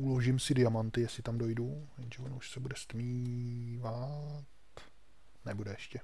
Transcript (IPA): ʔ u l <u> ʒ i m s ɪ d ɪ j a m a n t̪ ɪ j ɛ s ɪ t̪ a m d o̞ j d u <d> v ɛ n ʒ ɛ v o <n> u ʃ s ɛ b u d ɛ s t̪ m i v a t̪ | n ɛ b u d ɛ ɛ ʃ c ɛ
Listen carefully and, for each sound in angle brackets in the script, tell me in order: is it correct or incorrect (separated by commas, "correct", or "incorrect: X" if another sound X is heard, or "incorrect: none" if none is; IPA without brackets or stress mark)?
incorrect: o, incorrect: none, correct